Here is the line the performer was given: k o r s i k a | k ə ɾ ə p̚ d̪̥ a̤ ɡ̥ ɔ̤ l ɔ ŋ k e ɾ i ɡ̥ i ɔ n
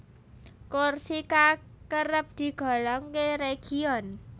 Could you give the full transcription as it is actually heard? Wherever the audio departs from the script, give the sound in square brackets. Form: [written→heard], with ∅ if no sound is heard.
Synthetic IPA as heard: k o r s i k a | k ə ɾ ə p̚ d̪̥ [a̤→i̤] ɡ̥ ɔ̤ l ɔ ŋ k e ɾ [i→e] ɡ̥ i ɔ n